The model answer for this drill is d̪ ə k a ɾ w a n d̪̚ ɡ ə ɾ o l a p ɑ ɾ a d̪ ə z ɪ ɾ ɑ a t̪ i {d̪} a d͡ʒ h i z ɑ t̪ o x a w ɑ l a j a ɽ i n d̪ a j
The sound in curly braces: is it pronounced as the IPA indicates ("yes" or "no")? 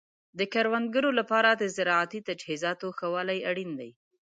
no